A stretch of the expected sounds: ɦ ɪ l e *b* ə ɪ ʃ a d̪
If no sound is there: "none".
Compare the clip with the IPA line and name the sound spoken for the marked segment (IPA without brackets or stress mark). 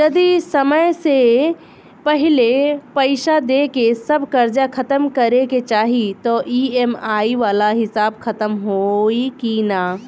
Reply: p